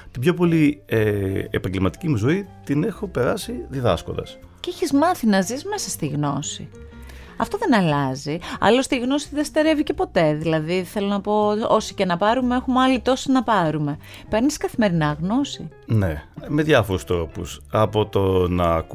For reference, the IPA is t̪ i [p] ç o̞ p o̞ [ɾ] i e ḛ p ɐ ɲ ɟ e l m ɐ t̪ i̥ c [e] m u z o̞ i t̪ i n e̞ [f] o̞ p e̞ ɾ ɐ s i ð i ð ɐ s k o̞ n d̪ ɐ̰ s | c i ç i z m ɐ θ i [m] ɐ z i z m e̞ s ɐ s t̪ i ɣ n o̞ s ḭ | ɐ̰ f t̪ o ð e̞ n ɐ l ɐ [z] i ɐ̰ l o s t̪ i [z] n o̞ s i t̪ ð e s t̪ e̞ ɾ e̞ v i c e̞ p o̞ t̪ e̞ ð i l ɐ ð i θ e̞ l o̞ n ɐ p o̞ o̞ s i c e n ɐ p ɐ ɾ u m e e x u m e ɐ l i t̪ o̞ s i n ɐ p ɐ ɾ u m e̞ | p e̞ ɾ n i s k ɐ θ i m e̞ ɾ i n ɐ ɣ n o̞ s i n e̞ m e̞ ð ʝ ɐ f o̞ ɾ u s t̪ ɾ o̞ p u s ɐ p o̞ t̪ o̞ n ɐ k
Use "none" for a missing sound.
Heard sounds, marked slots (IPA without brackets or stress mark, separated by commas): b, l, i, x, n, z, ɣ